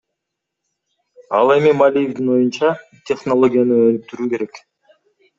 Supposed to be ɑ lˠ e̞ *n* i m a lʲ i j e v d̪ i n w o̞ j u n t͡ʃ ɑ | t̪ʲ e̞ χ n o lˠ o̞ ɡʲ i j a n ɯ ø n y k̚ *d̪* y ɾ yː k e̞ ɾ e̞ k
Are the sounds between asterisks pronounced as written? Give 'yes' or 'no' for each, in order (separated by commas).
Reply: no, no